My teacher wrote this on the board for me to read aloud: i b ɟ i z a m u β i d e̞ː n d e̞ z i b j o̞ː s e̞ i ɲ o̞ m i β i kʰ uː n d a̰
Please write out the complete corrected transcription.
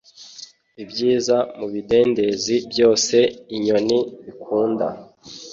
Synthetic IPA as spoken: i b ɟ iː z a m u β i d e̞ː n d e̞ z i b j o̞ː s e̞ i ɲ o̞ n i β i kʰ uː n d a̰